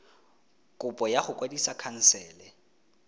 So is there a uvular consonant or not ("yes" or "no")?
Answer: yes